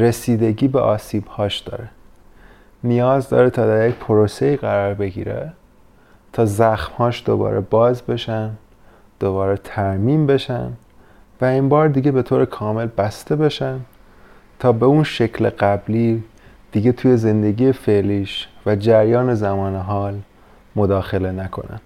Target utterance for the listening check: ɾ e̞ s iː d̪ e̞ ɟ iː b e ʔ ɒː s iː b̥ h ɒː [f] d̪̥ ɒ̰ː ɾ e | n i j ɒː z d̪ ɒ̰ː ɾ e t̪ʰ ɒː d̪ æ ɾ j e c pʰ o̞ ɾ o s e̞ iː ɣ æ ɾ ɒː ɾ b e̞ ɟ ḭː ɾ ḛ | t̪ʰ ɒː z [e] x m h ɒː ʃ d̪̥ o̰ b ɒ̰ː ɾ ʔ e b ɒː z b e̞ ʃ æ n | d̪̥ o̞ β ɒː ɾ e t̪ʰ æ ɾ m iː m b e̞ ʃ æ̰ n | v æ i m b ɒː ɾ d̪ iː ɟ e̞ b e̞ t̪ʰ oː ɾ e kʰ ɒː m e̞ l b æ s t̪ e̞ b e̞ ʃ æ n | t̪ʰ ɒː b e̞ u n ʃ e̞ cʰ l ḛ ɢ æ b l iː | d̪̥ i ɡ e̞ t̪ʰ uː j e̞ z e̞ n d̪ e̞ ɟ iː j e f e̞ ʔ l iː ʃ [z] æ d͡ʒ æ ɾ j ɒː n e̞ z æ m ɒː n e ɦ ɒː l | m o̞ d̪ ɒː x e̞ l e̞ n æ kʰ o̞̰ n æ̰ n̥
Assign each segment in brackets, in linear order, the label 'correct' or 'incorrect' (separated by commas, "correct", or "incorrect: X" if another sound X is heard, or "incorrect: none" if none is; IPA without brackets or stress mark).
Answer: incorrect: ʃ, incorrect: æ, incorrect: v